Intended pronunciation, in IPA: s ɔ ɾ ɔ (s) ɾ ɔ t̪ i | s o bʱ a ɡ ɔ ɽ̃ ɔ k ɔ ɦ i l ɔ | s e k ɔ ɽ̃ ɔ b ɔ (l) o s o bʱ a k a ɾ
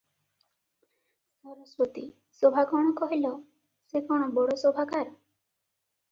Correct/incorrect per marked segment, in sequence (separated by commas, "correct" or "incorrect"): correct, incorrect